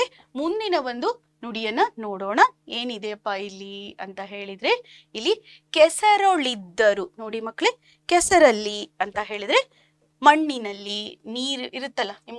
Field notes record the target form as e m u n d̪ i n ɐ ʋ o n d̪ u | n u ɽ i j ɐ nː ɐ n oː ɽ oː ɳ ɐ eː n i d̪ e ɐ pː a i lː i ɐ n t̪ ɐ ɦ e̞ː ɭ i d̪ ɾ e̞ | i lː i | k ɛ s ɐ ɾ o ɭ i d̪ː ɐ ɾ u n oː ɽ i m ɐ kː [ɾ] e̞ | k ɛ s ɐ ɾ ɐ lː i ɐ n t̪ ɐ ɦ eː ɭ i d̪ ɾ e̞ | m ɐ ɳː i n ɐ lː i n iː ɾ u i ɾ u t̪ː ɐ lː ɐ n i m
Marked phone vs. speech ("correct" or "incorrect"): incorrect